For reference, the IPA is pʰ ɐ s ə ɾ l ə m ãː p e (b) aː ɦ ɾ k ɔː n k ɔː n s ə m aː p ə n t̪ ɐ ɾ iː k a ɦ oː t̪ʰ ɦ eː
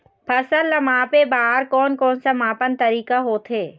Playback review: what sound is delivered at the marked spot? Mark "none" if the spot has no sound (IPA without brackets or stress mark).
b